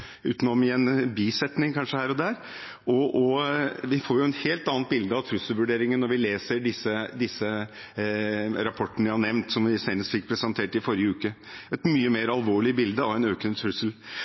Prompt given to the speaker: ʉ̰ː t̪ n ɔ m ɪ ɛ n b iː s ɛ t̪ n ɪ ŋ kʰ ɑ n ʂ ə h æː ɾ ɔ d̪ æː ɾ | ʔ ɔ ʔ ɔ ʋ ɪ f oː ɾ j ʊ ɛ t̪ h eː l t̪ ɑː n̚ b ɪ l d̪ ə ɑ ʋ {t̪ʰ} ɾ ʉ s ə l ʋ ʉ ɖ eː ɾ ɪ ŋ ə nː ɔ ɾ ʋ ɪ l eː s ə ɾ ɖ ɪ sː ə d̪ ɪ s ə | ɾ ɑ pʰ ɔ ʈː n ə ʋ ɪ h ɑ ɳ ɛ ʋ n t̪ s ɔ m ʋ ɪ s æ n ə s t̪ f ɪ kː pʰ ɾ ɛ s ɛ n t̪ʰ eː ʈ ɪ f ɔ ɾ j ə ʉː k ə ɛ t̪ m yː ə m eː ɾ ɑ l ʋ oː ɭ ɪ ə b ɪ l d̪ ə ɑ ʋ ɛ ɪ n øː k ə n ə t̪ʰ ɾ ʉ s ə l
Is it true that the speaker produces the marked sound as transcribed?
yes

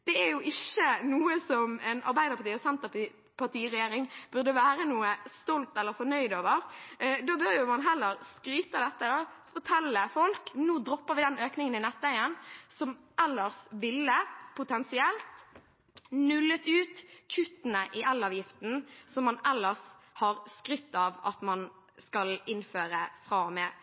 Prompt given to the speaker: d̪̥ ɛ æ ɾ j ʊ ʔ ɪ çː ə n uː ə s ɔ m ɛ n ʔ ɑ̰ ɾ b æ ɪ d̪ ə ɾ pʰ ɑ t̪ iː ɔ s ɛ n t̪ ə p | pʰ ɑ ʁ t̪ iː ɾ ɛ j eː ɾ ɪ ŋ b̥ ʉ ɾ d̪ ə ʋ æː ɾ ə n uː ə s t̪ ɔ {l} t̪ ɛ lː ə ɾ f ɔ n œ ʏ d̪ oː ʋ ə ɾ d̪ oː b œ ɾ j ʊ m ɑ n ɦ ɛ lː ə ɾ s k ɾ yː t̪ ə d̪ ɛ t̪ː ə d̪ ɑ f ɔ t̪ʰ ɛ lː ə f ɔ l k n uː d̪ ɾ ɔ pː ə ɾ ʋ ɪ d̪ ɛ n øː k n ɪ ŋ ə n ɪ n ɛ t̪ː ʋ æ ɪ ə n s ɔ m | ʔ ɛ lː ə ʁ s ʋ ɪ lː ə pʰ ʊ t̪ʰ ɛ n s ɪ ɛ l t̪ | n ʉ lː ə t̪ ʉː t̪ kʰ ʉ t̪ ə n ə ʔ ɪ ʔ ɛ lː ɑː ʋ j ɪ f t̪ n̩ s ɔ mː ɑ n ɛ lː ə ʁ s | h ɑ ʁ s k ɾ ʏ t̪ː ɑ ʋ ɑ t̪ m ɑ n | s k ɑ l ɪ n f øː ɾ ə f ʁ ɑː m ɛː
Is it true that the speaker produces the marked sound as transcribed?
yes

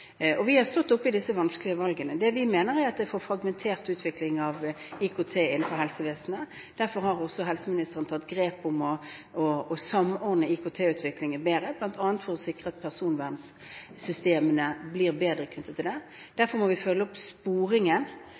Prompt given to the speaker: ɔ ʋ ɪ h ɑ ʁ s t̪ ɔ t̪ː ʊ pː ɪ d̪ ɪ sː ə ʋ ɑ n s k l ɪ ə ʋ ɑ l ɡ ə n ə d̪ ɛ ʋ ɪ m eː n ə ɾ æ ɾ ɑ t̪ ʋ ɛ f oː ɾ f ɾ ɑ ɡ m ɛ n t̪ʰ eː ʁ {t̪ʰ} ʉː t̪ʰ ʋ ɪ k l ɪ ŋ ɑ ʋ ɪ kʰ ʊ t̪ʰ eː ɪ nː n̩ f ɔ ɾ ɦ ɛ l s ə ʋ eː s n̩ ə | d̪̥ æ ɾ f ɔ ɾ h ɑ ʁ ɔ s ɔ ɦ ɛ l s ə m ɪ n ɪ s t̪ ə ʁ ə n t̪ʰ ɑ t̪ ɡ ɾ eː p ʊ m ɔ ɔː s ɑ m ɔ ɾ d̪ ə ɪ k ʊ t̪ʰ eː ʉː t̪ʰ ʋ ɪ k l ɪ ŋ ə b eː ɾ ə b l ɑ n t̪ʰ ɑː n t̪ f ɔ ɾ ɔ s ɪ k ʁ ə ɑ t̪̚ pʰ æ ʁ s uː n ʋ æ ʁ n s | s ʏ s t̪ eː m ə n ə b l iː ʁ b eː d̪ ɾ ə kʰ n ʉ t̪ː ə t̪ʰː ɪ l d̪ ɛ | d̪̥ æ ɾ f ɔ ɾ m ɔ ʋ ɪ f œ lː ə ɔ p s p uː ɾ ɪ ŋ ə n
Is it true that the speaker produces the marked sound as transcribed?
no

